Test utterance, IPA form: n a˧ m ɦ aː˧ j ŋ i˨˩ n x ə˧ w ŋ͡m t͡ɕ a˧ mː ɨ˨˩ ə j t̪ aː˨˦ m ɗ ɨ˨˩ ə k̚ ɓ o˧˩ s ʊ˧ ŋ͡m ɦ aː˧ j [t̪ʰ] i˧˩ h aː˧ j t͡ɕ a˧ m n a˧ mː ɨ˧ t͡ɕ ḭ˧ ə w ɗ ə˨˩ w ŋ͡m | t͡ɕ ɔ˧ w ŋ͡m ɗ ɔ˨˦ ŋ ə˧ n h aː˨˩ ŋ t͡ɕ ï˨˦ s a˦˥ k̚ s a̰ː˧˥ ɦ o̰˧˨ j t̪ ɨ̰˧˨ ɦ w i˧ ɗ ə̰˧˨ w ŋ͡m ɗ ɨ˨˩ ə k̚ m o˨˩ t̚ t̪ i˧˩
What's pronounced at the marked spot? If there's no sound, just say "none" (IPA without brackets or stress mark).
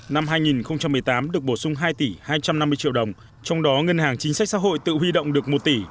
t̪